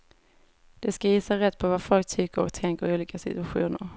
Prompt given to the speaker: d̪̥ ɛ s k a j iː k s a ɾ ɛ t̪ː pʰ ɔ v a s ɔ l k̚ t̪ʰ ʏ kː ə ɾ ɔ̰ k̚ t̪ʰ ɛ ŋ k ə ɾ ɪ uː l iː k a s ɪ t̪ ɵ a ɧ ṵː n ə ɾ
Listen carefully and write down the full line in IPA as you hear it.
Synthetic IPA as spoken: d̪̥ ɛ s k a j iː s a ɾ ɛ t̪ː pʰ ɔ v a f ɔ l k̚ t̪ʰ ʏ kː ə ɾ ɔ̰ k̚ t̪ʰ ɛ ŋ k ə ɾ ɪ uː l iː k a s ɪ t̪ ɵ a ɧ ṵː n ə ɾ